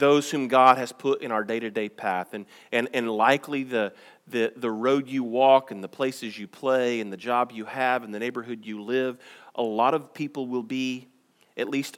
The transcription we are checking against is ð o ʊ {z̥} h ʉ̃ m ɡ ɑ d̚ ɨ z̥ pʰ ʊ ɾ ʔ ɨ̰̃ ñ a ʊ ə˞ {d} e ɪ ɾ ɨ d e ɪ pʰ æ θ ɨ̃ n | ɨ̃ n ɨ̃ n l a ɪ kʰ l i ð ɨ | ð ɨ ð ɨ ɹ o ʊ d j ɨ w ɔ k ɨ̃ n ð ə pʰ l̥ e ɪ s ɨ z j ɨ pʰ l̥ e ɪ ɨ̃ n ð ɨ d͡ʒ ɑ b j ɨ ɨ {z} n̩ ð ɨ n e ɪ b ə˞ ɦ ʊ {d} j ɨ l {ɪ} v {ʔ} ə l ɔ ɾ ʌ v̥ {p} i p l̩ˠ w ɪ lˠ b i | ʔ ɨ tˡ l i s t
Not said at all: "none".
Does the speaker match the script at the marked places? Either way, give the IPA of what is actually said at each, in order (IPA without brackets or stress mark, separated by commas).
z̥, d, v, d, ɪ, ʔ, pʰ